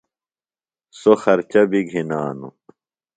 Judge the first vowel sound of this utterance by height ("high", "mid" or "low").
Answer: mid